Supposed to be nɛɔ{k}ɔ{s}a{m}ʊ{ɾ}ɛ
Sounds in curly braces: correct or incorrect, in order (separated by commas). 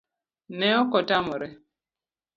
correct, incorrect, correct, correct